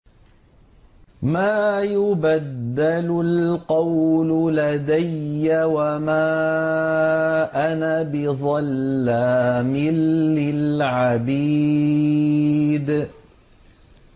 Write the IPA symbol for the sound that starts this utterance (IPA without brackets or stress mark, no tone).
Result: m